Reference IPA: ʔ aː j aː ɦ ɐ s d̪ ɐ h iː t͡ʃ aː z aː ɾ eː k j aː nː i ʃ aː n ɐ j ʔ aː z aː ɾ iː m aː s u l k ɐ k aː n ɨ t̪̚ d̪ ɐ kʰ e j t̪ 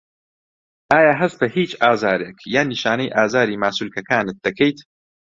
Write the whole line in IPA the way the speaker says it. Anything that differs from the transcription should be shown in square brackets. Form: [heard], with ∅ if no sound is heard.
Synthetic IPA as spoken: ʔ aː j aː ɦ ɐ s [t̪] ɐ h iː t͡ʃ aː z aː ɾ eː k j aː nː i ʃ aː n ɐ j ʔ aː z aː ɾ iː m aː s u l k ɐ k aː n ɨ t̪̚ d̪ ɐ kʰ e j t̪